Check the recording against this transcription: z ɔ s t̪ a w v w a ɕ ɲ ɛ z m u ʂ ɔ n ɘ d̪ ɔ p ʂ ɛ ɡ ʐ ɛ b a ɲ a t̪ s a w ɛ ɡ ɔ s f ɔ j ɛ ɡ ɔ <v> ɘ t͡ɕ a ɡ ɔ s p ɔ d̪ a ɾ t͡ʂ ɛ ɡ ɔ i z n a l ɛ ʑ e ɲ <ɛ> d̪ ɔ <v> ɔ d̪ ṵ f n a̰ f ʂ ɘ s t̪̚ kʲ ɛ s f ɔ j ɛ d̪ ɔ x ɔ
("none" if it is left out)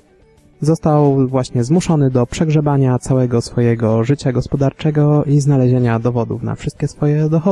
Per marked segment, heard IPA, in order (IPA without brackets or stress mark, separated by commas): ʐ, a, v